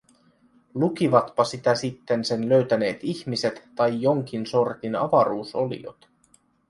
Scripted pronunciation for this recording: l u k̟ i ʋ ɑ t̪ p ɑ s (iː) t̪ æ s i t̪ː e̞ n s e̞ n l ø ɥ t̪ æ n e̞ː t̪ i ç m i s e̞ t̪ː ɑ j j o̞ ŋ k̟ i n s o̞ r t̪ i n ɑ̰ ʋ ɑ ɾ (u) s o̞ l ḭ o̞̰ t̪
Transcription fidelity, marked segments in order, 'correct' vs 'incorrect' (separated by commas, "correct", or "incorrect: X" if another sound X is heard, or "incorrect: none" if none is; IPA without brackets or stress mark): incorrect: i, incorrect: uː